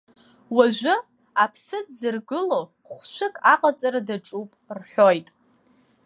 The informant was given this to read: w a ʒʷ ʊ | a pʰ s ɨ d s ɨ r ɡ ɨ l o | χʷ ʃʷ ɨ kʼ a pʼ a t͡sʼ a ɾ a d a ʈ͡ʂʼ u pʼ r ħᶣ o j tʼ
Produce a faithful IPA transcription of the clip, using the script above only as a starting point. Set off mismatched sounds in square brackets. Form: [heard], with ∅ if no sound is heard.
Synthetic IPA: w a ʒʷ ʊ | a pʰ s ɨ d [z] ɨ r ɡ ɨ l o | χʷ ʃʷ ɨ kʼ a [qʼ] a t͡sʼ a ɾ a d a ʈ͡ʂʼ u pʼ r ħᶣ o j tʼ